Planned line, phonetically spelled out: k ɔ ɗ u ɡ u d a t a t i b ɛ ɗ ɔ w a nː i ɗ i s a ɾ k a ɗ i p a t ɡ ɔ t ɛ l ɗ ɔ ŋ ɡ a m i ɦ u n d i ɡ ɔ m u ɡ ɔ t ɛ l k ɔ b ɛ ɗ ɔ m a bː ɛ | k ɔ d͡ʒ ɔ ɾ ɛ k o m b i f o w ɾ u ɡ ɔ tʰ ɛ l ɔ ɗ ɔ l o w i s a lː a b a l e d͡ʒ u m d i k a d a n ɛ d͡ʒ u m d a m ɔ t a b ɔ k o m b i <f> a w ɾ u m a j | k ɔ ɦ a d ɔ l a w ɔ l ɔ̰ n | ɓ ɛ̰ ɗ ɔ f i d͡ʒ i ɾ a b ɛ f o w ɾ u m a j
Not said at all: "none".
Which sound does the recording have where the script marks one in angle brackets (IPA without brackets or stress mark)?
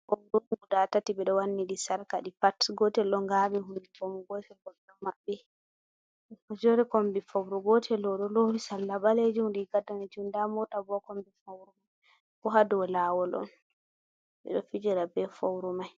f